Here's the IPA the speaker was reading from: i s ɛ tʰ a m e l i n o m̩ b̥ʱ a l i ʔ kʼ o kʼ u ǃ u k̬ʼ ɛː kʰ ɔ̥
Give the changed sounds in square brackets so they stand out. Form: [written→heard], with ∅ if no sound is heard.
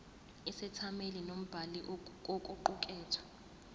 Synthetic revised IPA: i s ɛ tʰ a m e l i n o m̩ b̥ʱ a l i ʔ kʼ o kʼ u ǃ u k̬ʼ ɛː [kʰ→tʰ] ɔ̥